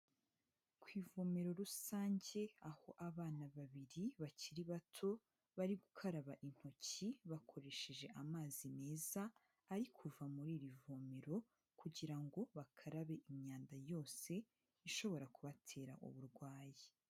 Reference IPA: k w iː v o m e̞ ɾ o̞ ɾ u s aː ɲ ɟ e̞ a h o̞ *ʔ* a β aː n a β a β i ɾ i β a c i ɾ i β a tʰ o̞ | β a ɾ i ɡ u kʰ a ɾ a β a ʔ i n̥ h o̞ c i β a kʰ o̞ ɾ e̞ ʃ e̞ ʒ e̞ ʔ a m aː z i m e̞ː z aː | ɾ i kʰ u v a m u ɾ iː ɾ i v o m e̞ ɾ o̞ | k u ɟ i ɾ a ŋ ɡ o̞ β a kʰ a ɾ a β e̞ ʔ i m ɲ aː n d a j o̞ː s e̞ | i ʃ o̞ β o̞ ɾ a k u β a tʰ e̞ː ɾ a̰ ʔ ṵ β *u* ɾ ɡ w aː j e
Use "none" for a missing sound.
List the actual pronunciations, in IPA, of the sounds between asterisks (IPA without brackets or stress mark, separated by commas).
ʔ, u